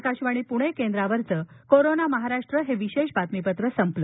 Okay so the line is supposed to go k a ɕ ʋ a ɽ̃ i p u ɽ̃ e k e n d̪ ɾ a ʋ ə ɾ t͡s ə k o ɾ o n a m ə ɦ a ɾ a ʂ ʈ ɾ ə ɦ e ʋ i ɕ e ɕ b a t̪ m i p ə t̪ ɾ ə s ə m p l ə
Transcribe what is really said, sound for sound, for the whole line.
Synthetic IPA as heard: k a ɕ ʋ a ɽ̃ i p u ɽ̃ e k e n d̪ ɾ a ʋ ə ɾ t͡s ə k o ɾ o n a m ə ɦ a ɾ a ʂ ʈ ɾ ə ɦ e ʋ i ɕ e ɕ b a t̪ m i p ə t̪ ɾ ə s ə m p l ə